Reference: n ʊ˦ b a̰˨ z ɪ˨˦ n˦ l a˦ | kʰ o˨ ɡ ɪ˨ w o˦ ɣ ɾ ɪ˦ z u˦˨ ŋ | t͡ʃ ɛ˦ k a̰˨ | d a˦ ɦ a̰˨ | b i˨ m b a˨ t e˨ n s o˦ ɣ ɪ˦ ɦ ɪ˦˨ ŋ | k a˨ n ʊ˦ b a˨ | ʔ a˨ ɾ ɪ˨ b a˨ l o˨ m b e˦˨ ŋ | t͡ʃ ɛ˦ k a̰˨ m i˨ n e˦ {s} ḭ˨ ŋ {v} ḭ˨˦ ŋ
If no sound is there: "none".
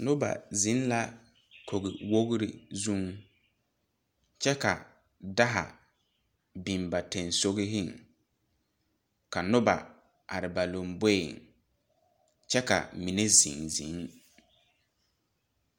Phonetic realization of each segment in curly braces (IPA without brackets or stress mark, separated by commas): z, z